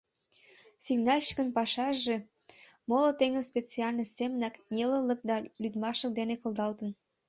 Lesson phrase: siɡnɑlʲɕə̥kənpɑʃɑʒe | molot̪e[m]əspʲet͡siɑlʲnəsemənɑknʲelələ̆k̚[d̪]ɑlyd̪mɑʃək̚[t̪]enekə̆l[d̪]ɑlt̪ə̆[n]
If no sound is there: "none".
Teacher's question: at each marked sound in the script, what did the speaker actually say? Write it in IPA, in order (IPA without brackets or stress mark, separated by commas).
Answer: ŋ, d̪, d̪, d̪, n